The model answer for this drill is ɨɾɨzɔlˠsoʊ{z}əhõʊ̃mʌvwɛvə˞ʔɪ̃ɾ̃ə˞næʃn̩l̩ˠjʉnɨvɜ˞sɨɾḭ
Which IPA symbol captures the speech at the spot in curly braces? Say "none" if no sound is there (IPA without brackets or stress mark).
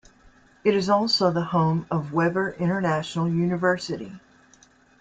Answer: ð